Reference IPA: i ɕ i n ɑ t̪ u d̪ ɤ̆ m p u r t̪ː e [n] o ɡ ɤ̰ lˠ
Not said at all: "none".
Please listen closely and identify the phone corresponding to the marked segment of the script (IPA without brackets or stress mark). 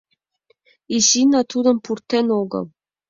n